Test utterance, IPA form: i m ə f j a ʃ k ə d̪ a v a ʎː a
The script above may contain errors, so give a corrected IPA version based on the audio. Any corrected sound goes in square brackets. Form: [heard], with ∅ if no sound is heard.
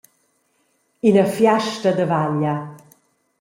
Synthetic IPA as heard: i [n] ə f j a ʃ [t] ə d̪ [ə] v a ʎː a